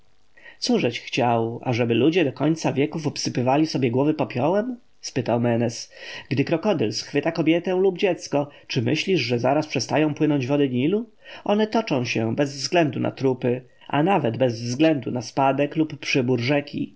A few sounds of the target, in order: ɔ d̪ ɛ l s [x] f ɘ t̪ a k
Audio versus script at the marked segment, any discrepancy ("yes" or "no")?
no